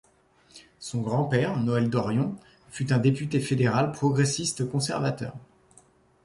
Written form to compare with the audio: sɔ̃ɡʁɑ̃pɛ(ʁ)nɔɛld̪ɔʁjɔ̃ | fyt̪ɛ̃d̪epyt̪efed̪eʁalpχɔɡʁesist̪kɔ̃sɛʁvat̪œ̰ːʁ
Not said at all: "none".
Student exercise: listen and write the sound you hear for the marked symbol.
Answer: ʁ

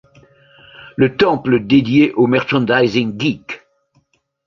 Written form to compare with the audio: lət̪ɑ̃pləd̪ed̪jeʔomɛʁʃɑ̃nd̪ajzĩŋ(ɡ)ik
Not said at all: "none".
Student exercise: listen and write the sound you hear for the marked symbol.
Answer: ɡ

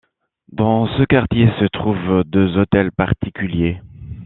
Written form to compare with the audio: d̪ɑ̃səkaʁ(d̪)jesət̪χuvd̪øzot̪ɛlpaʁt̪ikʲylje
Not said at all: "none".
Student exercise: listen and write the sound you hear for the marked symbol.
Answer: t̪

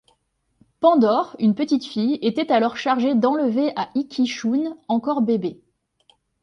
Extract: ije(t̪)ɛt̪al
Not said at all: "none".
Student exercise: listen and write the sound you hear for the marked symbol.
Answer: t̪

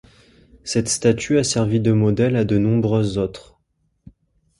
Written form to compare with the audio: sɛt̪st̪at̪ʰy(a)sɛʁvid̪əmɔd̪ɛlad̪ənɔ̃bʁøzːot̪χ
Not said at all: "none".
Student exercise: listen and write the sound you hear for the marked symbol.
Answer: a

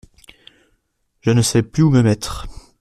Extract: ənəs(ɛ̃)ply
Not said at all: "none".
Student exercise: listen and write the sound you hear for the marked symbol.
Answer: ɛ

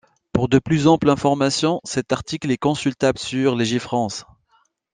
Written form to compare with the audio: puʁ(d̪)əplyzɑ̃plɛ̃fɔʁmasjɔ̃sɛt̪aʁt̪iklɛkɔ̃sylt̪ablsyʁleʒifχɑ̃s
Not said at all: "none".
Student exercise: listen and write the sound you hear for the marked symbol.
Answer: d̪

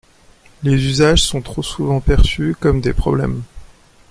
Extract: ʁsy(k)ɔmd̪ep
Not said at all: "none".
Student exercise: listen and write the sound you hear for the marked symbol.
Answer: k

